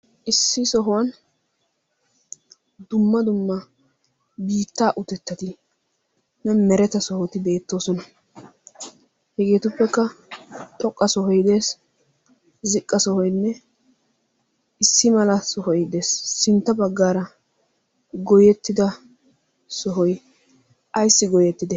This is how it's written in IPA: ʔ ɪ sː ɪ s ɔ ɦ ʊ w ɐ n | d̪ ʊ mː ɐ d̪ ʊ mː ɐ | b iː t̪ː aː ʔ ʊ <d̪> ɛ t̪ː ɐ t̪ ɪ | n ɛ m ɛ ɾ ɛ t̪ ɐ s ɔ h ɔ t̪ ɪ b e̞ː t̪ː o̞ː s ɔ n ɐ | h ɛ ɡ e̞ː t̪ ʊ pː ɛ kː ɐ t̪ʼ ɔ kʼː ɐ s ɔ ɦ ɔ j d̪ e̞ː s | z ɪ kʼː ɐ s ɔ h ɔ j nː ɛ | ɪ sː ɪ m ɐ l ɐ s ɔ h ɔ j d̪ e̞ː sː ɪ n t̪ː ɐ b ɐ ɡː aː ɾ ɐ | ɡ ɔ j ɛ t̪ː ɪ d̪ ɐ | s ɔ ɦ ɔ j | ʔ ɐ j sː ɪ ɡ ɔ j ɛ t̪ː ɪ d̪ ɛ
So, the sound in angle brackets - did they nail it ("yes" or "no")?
no